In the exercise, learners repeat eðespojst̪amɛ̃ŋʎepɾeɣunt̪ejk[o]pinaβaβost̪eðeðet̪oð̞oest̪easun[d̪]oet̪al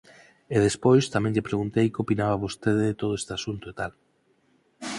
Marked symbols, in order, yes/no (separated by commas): yes, no